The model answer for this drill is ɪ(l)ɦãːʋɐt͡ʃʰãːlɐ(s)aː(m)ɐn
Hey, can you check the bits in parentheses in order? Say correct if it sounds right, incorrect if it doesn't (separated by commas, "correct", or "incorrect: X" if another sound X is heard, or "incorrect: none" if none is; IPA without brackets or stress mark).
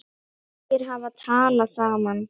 incorrect: ɾ, correct, correct